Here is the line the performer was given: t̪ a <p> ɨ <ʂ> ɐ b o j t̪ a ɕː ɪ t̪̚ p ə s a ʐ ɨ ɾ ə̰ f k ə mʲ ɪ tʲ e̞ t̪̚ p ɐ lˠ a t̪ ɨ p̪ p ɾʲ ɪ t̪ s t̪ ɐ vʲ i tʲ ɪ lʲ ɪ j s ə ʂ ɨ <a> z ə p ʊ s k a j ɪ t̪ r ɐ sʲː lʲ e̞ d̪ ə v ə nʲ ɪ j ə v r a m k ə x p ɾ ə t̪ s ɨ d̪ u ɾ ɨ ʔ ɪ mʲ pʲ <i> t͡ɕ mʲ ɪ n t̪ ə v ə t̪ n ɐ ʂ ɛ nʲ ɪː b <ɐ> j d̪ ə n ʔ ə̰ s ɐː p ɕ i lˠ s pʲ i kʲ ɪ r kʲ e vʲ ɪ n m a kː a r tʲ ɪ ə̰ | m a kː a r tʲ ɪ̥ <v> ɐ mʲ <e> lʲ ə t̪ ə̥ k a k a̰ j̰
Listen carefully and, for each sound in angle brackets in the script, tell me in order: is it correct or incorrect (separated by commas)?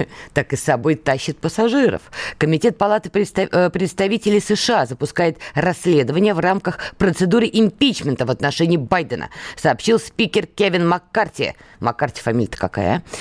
incorrect, incorrect, correct, correct, incorrect, incorrect, incorrect